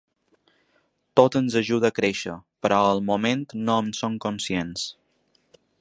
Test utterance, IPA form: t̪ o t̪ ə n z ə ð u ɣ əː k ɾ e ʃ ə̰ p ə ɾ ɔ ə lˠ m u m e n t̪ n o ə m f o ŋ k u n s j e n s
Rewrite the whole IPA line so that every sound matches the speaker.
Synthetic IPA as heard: t̪ o t̪ ə n z ə ʒ u ð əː k ɾ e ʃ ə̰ p ə ɾ ɔ ə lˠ m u m e n t̪ n o ə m s o ŋ k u n s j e n s